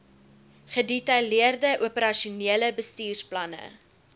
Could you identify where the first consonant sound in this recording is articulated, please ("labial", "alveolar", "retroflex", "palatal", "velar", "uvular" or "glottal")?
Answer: uvular